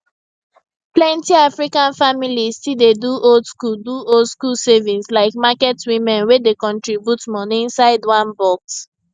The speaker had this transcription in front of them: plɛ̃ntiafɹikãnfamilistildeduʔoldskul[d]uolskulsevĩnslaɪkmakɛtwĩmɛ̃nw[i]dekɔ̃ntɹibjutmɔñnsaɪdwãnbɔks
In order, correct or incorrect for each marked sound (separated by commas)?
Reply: correct, incorrect